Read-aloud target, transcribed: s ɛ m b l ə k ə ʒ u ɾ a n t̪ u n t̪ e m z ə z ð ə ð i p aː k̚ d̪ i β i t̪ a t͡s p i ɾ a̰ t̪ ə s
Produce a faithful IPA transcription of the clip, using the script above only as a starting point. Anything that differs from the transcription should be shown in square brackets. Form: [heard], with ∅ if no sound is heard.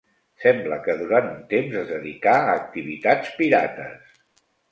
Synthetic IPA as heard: s ɛ m b l ə k ə [ð] u ɾ a n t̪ u n t̪ e m z ə z ð ə ð i [k] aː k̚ [t̪] i β i t̪ a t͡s p i ɾ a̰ t̪ ə s